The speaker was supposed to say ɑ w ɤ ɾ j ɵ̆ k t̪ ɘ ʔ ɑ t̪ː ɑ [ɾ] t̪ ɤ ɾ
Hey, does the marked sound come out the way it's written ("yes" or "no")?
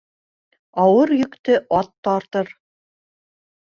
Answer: yes